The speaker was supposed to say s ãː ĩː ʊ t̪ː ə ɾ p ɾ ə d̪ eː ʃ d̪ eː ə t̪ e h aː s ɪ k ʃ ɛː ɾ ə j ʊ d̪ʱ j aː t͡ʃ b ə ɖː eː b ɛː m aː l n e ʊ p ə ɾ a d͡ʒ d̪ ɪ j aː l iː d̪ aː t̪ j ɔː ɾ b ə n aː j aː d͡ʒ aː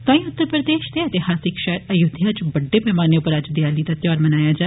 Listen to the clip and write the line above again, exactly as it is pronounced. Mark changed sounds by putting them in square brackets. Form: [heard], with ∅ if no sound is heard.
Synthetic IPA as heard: s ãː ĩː ʊ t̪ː ə ɾ p ɾ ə d̪ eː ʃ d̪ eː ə t̪ e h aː s ɪ k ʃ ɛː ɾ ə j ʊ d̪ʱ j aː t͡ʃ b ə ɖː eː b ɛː m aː [∅] n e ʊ p ə ɾ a d͡ʒ d̪ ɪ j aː l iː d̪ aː t̪ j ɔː ɾ [m] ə n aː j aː d͡ʒ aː